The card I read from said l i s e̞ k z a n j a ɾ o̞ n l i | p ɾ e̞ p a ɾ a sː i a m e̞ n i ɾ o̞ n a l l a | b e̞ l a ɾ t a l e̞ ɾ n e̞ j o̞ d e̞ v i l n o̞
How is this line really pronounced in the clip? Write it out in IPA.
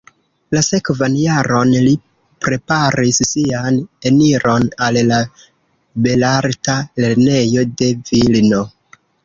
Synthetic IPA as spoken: l a s e̞ k v a n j a ɾ o̞ n l i | p ɾ e̞ p a ɾ i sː i a n e̞ n i ɾ o̞ n a l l a | b e̞ l a ɾ t a l e̞ ɾ n e̞ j o̞ d e̞ v i l n o̞

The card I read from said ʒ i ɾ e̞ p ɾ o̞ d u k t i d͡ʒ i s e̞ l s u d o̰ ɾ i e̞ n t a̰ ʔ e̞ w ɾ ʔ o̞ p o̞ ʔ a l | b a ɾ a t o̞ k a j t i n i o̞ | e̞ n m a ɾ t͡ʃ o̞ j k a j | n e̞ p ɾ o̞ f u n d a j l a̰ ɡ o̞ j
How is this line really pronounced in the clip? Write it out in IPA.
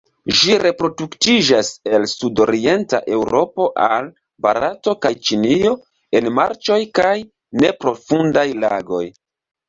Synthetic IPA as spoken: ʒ i ɾ e̞ p ɾ o̞ d u k t i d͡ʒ a s e̞ l s u d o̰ ɾ i e̞ n t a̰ ʔ e̞ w ɾ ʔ o̞ p o̞ ʔ a l | b a ɾ a t o̞ k a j t͡ʃ i n i o̞ | e̞ n m a ɾ t͡ʃ o̞ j k a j | n e̞ p ɾ o̞ f u n d a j l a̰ ɡ o̞ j

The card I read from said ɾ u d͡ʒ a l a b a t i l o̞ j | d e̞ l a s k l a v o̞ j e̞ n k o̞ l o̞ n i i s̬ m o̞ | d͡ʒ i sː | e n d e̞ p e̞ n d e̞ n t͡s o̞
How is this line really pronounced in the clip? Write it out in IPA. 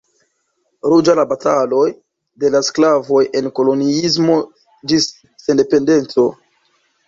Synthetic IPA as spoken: ɾ u d͡ʒ a l a b a t a l o̞ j | d e̞ l a s k l a v o̞ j e̞ n k o̞ l o̞ n i i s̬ m o̞ | d͡ʒ i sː | e n d e̞ p e̞ n d e̞ n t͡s o̞

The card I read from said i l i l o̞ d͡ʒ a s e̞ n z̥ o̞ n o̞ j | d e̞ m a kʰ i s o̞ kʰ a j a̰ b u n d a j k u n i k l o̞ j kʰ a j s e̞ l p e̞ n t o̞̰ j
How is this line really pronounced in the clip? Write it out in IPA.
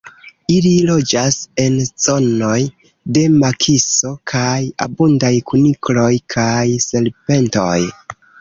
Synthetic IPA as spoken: i l i l o̞ d͡ʒ a s e̞ n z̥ o̞ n o̞ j | d e̞ m a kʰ i s o̞ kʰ a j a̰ b u n d a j k u n i k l o̞ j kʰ a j s e̞ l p e̞ n t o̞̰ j

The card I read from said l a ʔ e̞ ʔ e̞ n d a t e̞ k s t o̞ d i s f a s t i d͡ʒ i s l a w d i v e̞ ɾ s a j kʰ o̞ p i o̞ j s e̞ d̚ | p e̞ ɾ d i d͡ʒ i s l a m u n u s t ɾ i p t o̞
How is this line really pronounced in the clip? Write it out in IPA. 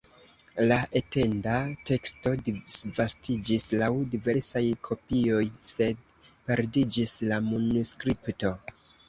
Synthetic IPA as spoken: l a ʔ e̞ t e̞ n d a t e̞ k s t o̞ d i s v a s t i d͡ʒ i s l a w d i v e̞ ɾ s a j kʰ o̞ p i o̞ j s e̞ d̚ | p e̞ ɾ d i d͡ʒ i s l a m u n u s k ɾ i p t o̞

